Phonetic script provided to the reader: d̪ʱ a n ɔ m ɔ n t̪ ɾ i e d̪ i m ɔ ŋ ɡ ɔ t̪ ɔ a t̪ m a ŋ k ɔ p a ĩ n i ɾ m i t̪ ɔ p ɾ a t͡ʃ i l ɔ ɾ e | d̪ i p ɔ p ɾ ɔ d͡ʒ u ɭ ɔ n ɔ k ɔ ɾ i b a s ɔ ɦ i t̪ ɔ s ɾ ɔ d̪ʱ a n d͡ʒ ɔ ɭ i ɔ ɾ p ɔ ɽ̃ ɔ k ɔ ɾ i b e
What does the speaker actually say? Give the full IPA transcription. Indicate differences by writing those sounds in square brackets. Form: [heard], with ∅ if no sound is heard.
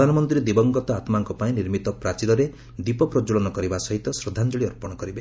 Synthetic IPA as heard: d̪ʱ a n ɔ m ɔ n t̪ ɾ i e d̪ i [b] ɔ ŋ ɡ ɔ t̪ ɔ a t̪ m a ŋ k ɔ p a ĩ n i ɾ m i t̪ ɔ p ɾ a t͡ʃ i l ɔ ɾ e | d̪ i p ɔ p ɾ ɔ d͡ʒ u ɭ ɔ n ɔ k ɔ ɾ i b a s ɔ ɦ i t̪ ɔ s ɾ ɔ d̪ʱ a n d͡ʒ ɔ ɭ i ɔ ɾ p ɔ ɽ̃ ɔ k ɔ ɾ i b e